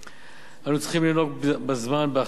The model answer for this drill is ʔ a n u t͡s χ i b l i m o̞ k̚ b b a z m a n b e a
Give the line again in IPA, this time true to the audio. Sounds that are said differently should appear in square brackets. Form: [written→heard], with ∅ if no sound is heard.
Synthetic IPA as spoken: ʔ a n u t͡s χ i [b→m] l i [m→n] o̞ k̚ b b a z m a n b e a